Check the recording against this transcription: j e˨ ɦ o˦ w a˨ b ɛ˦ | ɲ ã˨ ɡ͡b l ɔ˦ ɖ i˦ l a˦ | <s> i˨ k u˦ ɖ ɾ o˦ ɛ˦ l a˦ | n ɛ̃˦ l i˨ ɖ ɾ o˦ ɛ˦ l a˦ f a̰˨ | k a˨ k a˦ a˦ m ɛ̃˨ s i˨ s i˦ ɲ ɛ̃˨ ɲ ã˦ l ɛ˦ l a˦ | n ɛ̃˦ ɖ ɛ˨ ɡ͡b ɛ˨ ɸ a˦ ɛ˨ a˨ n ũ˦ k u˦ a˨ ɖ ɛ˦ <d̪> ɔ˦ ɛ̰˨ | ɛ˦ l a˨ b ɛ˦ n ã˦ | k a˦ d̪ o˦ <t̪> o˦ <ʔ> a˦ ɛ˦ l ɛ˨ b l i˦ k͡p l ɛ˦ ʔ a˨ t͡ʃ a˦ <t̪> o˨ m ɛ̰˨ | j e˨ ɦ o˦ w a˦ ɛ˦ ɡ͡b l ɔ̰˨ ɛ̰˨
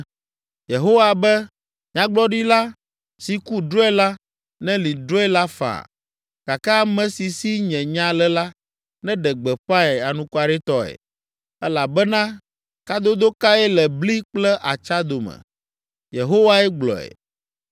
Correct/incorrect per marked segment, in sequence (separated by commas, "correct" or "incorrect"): correct, incorrect, incorrect, incorrect, incorrect